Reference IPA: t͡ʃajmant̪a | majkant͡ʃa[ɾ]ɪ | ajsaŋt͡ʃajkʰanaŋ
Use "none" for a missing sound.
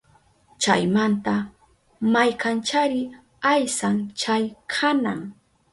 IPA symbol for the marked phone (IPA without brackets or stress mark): ɾ